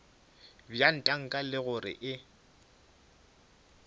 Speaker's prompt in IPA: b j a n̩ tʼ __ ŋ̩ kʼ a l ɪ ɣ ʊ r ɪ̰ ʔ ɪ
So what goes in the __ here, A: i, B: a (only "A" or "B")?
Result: B